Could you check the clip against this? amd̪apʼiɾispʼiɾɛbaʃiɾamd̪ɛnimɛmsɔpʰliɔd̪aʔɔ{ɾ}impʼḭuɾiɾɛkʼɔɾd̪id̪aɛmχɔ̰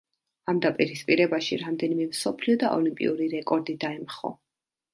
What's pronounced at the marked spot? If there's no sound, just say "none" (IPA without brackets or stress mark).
l